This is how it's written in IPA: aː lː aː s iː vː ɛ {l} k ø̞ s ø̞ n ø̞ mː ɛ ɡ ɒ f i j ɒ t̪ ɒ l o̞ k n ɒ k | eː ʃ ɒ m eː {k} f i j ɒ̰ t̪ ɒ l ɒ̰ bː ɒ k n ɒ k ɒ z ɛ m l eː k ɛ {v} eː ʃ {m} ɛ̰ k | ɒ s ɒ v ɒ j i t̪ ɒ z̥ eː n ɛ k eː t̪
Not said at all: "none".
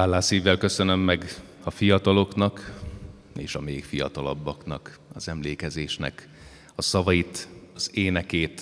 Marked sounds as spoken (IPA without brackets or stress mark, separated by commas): l, k, z, n